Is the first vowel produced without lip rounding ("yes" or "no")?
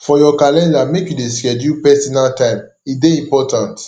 no